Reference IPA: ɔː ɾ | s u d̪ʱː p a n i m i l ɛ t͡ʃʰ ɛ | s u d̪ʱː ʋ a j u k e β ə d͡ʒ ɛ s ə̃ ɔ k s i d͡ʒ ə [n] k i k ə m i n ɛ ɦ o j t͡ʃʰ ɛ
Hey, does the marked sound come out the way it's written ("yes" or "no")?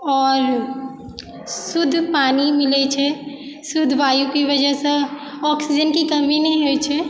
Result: yes